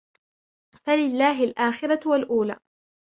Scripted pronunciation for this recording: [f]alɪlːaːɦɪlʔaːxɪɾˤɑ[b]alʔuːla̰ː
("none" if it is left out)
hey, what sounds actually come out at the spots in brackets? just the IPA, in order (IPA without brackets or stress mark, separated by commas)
f, w